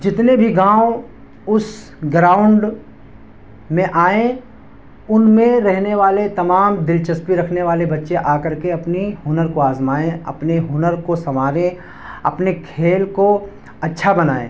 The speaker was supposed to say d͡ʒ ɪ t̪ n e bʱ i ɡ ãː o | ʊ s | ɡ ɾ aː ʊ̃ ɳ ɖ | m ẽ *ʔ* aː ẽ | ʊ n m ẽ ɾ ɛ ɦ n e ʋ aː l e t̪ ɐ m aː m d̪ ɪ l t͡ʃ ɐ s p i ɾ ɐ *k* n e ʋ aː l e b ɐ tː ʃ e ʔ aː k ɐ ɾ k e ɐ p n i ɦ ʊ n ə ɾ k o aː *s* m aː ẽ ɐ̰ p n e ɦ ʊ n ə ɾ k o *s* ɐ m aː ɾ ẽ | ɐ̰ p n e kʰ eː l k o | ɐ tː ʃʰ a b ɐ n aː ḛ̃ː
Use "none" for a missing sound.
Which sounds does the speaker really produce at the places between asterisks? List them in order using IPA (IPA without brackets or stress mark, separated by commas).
ʔ, kʰ, z, s